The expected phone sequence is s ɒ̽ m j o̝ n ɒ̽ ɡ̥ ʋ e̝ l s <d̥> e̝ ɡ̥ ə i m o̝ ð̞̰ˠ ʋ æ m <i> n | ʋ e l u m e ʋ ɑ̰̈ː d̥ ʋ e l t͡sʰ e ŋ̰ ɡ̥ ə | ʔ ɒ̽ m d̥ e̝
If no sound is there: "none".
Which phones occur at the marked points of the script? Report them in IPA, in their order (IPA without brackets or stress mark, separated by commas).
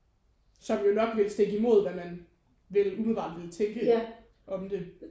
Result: d̥, æ